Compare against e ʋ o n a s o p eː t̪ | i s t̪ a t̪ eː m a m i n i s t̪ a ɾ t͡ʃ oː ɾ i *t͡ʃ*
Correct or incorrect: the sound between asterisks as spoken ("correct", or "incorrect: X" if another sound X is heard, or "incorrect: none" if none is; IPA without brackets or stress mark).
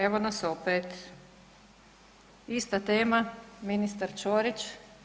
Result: correct